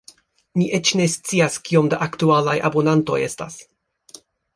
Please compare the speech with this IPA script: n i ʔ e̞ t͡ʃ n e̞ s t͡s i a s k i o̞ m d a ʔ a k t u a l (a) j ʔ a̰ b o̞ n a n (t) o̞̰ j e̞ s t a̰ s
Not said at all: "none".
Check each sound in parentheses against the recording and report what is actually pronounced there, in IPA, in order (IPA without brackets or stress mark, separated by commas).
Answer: a, t